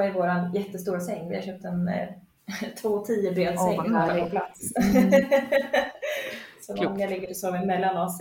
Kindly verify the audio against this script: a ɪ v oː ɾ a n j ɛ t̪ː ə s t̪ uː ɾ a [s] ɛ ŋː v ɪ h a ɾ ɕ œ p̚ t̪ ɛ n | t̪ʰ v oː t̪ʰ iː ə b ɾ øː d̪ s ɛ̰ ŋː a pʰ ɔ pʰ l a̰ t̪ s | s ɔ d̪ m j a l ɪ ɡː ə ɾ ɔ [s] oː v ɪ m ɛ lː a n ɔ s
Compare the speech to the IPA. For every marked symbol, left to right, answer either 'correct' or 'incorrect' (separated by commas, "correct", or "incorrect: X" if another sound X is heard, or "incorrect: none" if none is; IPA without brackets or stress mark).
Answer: correct, correct